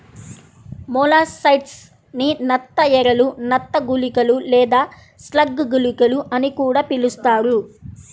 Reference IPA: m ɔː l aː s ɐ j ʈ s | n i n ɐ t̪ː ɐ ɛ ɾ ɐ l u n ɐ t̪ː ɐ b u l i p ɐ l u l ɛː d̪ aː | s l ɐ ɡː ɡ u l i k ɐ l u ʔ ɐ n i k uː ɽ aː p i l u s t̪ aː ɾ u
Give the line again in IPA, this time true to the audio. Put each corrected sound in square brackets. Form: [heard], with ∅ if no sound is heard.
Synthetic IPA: m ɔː l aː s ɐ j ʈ s | n i n ɐ t̪ː ɐ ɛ ɾ ɐ l u n ɐ t̪ː ɐ [ɡ] u l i [k] ɐ l u l ɛː d̪ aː | s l ɐ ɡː ɡ u l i k ɐ l u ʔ ɐ n i k uː ɽ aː p i l u s t̪ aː ɾ u